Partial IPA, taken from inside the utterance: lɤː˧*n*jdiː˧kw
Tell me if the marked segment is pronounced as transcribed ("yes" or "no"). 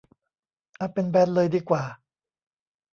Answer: no